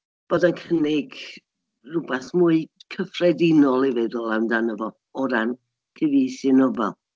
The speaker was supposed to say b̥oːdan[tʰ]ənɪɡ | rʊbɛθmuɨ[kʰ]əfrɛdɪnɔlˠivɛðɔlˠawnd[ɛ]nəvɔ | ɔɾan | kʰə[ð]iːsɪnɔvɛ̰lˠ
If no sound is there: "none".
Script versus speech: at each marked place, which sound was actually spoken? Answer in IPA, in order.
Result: kʰ, kʰ, a, v

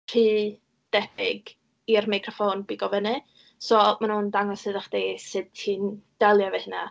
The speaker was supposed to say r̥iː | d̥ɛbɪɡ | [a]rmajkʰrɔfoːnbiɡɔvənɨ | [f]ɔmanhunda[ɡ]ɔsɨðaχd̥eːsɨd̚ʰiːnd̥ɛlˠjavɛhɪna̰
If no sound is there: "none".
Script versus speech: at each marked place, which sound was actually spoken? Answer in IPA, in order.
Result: i, s, ŋ

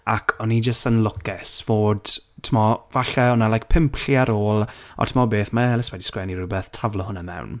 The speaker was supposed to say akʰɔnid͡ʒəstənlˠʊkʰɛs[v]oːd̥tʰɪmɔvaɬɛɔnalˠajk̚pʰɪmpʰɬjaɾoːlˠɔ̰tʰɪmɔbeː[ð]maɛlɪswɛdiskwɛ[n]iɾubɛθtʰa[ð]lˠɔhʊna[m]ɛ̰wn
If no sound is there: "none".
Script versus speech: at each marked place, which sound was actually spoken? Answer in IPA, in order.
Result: v, θ, n, v, m

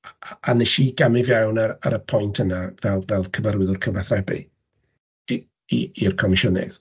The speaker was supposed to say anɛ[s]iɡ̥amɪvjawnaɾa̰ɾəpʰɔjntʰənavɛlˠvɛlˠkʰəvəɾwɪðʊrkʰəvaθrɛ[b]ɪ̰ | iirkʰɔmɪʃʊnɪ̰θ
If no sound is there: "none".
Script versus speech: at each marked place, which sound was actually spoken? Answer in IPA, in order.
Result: ʃ, b

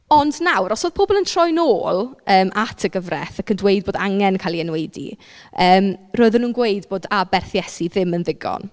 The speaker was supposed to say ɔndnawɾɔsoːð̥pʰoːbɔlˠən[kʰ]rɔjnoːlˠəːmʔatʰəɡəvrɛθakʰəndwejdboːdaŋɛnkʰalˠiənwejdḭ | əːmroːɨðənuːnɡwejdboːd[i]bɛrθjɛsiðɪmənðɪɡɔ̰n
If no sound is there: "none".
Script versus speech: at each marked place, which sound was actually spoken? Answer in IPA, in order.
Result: tʰ, a

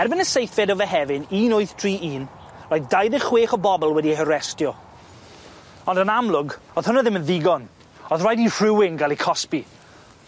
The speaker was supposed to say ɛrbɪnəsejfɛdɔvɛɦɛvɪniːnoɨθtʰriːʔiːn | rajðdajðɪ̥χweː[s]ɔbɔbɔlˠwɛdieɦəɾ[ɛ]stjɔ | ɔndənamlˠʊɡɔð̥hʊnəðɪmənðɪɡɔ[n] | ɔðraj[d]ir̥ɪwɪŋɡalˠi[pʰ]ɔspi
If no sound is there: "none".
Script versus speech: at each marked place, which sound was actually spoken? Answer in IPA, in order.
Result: χ, ɛ, n, d, kʰ

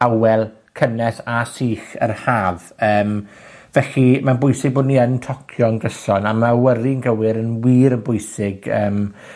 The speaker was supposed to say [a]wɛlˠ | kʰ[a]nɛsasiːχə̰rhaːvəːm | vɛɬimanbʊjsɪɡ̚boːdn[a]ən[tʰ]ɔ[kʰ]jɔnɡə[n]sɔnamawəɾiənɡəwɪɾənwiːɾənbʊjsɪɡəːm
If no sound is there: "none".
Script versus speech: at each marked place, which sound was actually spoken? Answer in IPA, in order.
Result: a, ə, i, tʰ, kʰ, none

